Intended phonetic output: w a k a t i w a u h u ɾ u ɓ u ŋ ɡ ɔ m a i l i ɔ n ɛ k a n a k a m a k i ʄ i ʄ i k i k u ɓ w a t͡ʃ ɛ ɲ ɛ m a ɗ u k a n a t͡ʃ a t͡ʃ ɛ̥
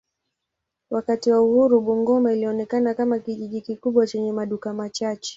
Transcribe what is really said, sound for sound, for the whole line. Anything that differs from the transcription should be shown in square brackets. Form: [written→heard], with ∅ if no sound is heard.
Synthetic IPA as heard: w a k a t i w a u h u ɾ u ɓ u ŋ ɡ ɔ m a i l i ɔ n ɛ k a n a k a m a k i ʄ i ʄ i k i k u ɓ w a t͡ʃ ɛ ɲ ɛ m a ɗ u k a [n→m] a t͡ʃ a t͡ʃ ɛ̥